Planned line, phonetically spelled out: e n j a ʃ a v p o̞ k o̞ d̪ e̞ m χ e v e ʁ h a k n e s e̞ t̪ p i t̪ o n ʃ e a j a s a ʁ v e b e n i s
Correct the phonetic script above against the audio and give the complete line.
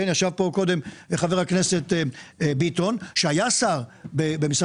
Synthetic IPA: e n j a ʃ a v p o̞ k o̞ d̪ e̞ m χ a v e ʁ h a k n e s e̞ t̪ b i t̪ o n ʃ e a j a s a ʁ b e b e m i s